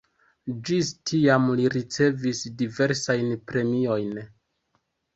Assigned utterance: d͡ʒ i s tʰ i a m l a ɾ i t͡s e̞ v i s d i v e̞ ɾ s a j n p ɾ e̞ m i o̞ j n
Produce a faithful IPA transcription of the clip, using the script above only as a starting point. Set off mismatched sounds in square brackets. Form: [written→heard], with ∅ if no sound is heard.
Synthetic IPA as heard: d͡ʒ i s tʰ i a m l [a→i] ɾ i t͡s e̞ v i s d i v e̞ ɾ s a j n p ɾ e̞ m i o̞ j n